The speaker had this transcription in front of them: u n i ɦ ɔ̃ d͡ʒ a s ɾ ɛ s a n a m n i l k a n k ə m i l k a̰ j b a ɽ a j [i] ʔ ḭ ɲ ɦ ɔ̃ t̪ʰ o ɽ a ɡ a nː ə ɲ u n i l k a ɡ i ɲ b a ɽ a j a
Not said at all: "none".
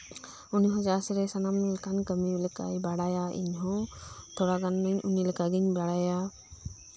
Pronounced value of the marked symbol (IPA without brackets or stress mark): a